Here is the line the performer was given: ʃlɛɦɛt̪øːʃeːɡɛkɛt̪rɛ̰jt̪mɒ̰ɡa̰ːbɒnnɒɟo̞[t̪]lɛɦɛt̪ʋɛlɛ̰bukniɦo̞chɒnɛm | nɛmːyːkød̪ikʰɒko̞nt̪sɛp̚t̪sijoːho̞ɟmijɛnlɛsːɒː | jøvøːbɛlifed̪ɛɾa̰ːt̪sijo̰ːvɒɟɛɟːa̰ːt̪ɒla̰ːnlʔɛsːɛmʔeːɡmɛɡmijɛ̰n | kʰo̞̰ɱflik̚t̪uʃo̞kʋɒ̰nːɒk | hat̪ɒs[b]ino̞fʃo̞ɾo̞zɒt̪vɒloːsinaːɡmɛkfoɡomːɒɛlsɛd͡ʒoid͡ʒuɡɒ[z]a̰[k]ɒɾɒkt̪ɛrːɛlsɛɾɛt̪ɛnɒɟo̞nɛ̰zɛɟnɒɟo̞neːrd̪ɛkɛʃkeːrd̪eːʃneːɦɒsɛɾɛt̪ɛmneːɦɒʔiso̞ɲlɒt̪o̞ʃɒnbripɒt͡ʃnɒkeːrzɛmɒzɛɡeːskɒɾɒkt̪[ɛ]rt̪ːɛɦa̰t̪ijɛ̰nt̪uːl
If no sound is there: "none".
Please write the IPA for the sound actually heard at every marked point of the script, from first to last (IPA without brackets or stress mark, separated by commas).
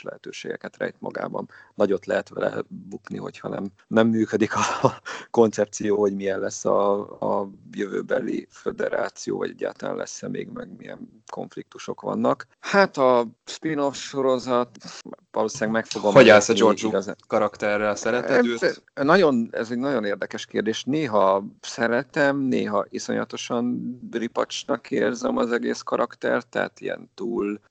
t̪, p, z, k, ɛ